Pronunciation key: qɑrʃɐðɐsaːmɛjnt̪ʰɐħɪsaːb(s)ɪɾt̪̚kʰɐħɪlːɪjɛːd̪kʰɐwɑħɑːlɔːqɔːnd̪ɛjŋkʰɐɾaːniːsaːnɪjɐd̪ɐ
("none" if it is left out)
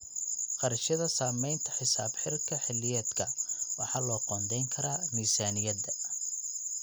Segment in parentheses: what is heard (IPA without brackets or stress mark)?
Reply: ħ